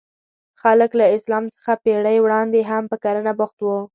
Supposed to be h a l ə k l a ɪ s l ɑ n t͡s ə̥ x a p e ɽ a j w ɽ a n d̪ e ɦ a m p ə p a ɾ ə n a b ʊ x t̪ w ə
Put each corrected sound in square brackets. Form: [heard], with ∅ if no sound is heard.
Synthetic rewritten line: [x] a l ə k l a ɪ s l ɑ [m] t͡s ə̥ x a p e ɽ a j w ɽ [ɑ] n d̪ e ɦ a m p ə [k] a ɾ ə n a b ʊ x t̪ w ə